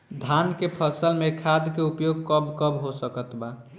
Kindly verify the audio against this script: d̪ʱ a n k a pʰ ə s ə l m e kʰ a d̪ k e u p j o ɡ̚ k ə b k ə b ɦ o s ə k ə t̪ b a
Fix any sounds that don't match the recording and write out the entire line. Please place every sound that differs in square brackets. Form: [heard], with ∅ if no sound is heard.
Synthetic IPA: d̪ʱ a n k [e] pʰ ə s ə l m e kʰ a d̪ k e u p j o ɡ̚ k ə b k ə b ɦ o s ə k ə t̪ b a